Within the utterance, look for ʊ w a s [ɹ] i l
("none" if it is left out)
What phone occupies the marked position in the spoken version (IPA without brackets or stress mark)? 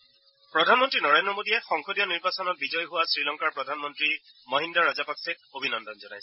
ɹ